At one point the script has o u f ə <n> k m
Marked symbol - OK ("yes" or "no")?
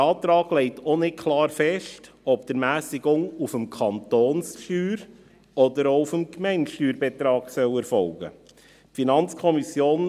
no